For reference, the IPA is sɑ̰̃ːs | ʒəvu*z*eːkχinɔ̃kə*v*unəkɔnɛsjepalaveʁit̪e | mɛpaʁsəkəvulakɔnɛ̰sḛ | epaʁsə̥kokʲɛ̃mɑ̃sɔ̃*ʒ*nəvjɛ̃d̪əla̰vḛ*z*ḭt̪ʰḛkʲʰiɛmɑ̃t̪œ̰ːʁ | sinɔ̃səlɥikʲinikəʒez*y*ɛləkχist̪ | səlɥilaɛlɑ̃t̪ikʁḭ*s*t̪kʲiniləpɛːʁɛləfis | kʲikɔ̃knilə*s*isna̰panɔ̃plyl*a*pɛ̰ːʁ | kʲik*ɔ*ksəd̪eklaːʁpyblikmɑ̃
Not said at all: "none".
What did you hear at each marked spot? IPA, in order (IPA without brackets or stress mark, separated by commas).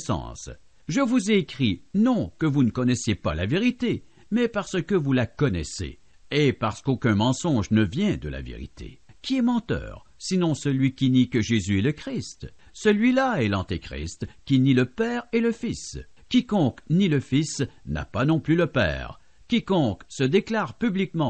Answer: z, v, ʒ, ʁ, y, s, f, ə, ɔ̃